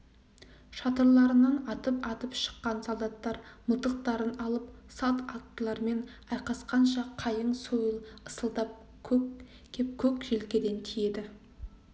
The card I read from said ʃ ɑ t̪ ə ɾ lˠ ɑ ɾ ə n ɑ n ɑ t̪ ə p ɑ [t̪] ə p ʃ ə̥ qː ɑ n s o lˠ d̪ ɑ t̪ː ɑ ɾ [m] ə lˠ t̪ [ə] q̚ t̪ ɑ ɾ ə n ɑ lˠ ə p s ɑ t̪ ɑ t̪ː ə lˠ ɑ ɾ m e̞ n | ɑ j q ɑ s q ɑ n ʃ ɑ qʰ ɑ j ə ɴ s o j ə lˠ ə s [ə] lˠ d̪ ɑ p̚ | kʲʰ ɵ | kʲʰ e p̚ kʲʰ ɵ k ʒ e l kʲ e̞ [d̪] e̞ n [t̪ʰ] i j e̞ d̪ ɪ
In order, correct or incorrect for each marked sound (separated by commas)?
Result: correct, correct, correct, correct, correct, correct